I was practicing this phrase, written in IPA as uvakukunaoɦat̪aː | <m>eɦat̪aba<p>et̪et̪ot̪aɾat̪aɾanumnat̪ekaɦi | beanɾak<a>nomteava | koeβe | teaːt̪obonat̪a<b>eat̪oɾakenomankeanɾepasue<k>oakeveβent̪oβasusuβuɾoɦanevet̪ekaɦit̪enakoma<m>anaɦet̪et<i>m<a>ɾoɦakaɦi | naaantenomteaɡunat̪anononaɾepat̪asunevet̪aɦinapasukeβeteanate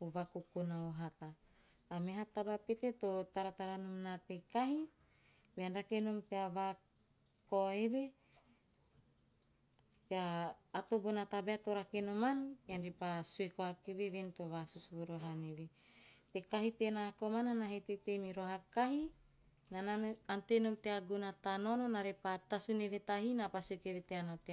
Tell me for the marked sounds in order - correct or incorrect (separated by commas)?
correct, correct, incorrect, correct, correct, incorrect, incorrect, incorrect